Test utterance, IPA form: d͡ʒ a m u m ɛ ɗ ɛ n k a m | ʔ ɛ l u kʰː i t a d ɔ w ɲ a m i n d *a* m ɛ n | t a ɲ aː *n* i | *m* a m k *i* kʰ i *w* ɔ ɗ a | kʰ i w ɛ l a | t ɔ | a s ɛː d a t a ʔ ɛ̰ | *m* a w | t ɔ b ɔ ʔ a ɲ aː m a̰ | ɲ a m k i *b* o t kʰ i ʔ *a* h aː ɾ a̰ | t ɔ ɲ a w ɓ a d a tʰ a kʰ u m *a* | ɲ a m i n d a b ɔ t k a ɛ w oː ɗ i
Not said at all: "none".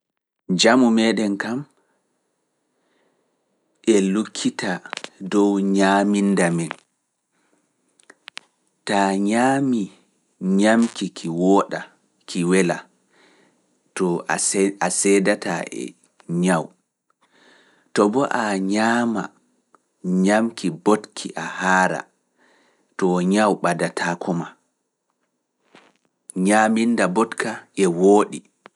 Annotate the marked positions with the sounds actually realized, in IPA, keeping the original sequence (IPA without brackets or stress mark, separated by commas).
a, m, ɲ, i, w, ɲ, b, a, a